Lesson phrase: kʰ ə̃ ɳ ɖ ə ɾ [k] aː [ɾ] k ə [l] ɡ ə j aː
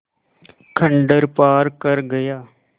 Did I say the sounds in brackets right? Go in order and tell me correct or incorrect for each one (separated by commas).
incorrect, correct, incorrect